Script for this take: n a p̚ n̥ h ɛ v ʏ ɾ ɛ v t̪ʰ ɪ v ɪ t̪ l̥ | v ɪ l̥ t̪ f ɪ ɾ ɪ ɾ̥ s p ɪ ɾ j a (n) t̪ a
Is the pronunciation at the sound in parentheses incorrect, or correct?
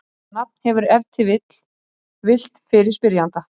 correct